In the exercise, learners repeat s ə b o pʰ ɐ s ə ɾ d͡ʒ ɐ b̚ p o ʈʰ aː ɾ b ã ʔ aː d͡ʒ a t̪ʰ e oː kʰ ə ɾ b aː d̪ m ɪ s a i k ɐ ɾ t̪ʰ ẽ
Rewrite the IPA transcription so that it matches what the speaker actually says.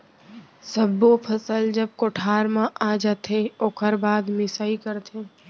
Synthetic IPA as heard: s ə b o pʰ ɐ s ə l d͡ʒ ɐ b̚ k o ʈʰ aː ɾ m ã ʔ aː d͡ʒ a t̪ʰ e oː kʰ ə ɾ b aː d̪ m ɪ s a i k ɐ ɾ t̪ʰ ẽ